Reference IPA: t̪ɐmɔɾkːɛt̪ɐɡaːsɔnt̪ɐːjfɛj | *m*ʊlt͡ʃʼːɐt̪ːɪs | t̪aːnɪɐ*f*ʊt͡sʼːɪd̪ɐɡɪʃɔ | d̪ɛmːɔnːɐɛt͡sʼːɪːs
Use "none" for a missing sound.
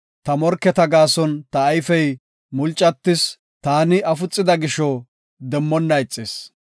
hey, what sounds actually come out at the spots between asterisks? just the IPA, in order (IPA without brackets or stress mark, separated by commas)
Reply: m, f